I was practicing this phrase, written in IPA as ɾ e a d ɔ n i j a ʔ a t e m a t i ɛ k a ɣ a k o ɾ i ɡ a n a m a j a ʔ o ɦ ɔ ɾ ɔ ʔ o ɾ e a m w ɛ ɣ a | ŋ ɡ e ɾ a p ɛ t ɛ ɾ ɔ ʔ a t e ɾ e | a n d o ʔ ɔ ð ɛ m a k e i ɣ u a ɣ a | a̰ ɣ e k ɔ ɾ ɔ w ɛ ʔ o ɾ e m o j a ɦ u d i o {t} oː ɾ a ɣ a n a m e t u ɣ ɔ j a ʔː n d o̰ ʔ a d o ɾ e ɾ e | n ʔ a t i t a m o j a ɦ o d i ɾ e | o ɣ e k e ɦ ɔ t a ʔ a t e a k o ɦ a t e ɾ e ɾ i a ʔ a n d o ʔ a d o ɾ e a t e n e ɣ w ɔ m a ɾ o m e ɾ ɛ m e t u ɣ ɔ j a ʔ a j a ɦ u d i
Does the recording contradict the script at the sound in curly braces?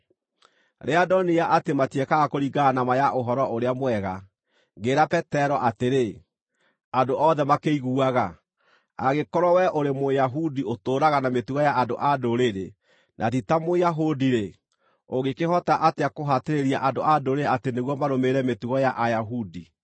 no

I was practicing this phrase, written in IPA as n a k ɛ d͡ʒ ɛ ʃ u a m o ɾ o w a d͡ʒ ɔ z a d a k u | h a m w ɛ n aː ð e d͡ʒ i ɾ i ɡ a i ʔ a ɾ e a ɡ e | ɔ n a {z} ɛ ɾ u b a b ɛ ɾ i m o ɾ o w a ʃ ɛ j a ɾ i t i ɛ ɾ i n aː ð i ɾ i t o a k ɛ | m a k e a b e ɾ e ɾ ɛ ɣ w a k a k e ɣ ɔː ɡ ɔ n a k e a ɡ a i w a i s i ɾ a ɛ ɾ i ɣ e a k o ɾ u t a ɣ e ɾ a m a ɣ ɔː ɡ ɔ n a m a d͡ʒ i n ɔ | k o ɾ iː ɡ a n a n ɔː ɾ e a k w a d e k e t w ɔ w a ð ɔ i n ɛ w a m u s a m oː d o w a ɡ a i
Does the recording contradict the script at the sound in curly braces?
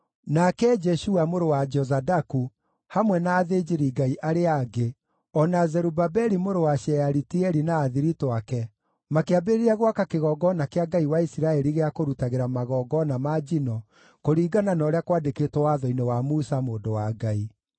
no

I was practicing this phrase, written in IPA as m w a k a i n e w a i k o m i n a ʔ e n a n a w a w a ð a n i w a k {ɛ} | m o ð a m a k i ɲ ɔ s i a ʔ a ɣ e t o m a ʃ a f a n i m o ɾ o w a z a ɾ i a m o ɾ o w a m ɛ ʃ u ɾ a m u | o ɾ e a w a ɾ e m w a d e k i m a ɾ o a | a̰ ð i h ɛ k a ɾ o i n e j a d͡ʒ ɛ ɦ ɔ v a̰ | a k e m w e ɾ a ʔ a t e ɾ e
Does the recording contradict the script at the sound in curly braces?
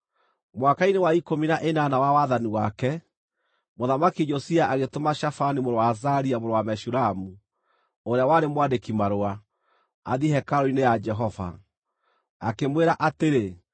no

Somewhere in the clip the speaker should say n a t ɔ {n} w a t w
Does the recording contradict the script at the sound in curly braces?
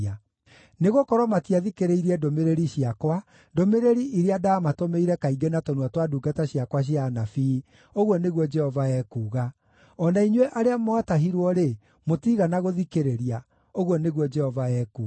no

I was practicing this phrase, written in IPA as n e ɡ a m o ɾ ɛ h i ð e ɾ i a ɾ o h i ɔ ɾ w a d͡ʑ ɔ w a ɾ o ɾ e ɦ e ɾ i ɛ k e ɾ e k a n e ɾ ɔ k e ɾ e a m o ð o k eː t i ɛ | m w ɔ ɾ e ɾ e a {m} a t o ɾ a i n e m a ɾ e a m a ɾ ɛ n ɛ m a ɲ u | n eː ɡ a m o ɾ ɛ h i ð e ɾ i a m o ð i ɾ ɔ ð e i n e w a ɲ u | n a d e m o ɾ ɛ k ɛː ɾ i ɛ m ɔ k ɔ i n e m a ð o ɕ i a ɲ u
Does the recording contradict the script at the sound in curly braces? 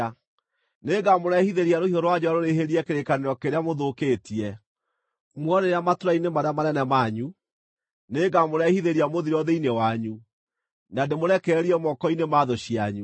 no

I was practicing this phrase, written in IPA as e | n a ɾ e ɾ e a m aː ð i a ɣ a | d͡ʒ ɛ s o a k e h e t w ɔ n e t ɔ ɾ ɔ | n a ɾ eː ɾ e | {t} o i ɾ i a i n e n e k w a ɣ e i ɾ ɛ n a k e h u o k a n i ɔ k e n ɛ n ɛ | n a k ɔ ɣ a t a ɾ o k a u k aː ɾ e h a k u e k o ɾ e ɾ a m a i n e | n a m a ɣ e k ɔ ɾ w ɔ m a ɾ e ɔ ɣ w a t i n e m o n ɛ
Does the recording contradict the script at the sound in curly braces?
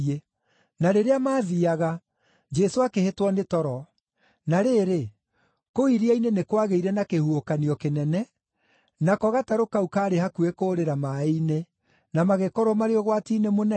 yes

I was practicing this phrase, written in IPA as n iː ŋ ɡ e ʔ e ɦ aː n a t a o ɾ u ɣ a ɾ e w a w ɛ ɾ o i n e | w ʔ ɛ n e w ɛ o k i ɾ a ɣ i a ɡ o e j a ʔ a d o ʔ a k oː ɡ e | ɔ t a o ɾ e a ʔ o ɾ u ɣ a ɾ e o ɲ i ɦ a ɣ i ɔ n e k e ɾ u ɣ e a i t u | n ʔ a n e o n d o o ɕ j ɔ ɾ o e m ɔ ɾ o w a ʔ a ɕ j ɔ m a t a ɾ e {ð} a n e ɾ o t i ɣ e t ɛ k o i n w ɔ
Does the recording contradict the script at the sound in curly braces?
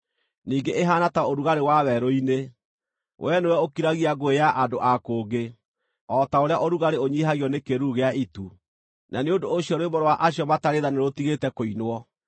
no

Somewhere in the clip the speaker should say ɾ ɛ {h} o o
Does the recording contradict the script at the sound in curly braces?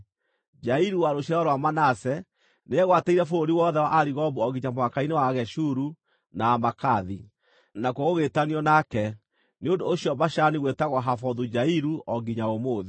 yes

